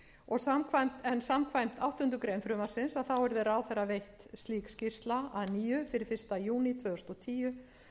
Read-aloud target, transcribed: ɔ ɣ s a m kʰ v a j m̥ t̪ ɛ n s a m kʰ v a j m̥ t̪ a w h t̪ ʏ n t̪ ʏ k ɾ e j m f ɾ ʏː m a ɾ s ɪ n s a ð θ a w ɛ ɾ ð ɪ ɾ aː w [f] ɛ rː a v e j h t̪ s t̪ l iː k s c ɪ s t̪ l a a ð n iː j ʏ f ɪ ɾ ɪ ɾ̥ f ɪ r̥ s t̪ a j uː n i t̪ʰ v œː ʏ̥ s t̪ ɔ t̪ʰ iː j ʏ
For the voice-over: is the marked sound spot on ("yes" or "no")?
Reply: no